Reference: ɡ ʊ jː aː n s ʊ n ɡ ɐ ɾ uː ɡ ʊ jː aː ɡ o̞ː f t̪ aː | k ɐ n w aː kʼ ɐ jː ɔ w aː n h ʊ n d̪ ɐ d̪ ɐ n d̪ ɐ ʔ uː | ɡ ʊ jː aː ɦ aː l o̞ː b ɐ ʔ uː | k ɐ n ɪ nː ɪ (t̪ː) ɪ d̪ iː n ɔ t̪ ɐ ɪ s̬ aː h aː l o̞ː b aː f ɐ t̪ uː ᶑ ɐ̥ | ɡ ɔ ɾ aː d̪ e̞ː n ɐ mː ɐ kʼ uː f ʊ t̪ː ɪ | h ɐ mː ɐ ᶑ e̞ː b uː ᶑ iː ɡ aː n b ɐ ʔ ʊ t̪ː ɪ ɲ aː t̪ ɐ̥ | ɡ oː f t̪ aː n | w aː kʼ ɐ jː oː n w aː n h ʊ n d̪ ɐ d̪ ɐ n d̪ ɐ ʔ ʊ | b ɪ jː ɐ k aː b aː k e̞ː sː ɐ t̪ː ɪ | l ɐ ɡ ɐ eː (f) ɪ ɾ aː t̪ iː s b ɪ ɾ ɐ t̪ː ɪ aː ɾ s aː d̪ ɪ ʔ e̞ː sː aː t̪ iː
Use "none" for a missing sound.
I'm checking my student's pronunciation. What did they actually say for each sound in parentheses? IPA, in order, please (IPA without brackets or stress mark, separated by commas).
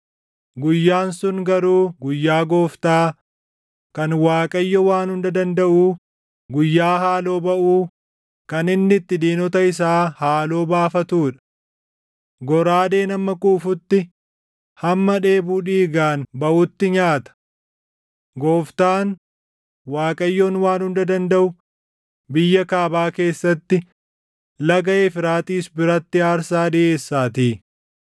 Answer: t̪ː, f